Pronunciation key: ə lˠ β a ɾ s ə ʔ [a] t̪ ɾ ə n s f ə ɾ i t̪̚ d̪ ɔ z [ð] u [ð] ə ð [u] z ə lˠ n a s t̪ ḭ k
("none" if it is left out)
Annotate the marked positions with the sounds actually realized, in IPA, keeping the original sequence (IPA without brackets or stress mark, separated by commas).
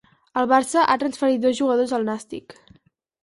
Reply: a, ʒ, ɣ, o